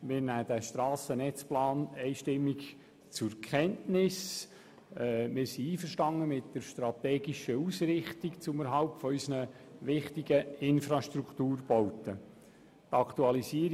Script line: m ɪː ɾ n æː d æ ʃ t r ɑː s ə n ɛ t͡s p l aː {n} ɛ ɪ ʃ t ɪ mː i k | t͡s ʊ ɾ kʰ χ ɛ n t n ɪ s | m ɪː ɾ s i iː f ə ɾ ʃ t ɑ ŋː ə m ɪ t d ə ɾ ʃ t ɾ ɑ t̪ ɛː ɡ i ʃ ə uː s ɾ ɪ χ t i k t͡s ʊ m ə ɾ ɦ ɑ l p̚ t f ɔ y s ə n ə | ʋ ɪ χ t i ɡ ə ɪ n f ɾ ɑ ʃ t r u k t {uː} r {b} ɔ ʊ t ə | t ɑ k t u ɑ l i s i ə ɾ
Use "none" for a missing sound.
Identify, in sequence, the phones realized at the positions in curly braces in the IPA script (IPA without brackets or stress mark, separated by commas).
n, uː, b